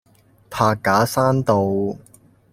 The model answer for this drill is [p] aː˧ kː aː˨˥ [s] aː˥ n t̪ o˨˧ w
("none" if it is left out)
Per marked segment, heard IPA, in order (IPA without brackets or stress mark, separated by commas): pʰ, s